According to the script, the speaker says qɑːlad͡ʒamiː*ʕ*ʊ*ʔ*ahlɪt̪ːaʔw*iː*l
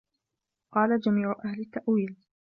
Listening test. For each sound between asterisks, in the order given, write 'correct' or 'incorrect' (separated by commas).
correct, correct, correct